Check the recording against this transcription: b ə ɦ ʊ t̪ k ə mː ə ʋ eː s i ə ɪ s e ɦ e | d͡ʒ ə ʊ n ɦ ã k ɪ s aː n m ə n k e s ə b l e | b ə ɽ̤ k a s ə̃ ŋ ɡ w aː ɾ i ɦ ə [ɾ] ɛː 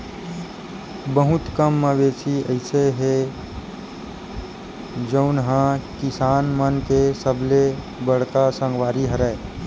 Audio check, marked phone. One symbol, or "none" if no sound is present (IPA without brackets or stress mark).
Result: ɾ